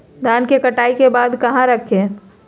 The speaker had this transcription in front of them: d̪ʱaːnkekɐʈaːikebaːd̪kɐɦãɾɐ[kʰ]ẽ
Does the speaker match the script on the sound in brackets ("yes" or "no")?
yes